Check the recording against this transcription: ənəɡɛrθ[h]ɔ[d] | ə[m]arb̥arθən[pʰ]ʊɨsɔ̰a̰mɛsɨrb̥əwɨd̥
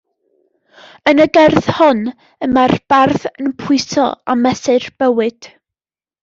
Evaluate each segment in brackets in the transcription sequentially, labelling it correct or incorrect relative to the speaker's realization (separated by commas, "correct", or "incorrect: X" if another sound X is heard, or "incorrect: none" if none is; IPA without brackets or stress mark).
correct, incorrect: n, correct, correct